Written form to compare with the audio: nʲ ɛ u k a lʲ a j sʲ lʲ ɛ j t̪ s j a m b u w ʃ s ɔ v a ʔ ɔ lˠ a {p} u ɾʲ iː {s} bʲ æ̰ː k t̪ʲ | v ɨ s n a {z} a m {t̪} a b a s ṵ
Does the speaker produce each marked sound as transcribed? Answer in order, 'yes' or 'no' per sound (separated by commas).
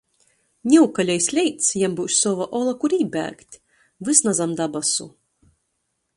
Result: no, no, yes, no